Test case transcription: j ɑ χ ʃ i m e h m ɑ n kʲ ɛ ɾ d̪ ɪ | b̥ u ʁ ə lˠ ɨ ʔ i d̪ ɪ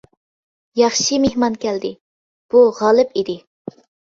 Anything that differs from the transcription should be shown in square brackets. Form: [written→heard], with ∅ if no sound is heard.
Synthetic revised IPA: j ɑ χ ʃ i m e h m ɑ n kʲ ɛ [ɾ→l] d̪ ɪ | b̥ u ʁ [ə→ɑ] lˠ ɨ [ʔ→p] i d̪ ɪ